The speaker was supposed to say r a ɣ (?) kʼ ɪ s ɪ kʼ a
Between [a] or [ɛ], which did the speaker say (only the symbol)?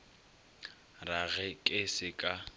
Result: ɛ